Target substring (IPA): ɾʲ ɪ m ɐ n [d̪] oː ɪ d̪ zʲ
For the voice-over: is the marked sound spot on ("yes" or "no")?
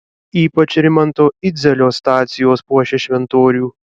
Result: no